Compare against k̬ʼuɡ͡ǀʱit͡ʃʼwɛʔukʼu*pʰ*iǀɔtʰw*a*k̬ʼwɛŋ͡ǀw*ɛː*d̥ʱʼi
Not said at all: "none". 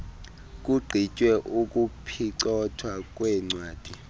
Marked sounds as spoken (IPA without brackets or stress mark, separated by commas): pʰ, a, aː